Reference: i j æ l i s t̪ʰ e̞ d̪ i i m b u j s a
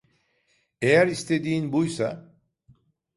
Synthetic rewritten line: e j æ ɾ i s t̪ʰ e̞ d̪ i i n b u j s a